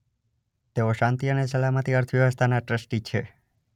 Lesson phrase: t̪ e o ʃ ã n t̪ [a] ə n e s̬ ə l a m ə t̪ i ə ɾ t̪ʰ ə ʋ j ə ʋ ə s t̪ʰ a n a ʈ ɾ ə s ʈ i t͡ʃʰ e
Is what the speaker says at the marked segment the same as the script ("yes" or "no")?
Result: no